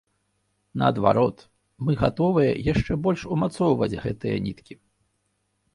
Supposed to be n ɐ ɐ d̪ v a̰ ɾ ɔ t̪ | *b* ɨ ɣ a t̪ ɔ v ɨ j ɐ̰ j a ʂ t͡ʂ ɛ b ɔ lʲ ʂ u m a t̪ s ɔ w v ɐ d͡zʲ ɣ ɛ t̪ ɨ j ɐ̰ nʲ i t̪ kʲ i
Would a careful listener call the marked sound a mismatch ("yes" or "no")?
yes